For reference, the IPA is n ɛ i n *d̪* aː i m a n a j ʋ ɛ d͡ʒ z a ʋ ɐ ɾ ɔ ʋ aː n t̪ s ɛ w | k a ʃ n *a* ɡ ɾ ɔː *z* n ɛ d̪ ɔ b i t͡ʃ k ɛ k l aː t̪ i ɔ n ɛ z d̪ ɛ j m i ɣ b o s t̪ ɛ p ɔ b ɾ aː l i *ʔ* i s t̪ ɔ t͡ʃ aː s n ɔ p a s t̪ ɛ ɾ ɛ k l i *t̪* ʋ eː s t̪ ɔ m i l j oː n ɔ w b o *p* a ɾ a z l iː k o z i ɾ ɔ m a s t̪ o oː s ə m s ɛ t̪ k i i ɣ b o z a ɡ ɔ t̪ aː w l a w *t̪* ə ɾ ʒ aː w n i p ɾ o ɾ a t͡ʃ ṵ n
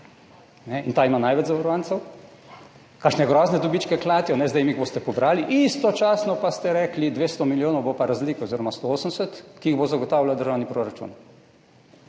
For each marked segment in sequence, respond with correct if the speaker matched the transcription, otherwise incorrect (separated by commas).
incorrect, incorrect, correct, correct, incorrect, correct, incorrect